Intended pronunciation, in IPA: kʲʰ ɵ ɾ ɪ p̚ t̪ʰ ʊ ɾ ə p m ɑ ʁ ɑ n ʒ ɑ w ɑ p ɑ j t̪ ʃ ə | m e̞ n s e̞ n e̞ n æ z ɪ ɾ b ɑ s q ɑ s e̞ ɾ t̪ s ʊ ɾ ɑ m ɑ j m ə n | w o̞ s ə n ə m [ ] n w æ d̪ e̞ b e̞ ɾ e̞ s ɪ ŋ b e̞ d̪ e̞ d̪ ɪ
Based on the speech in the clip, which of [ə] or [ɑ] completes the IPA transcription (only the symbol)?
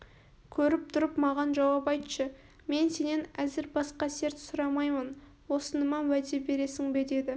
ɑ